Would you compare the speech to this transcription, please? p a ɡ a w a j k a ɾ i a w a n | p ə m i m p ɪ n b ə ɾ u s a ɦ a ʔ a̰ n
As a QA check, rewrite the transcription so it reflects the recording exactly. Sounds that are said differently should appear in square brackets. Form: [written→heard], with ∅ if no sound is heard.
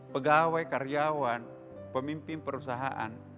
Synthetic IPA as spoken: p [a→ə] ɡ a w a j k a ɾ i a w a n | p ə m i m p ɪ n [b→p] ə ɾ u s a ɦ a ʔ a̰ n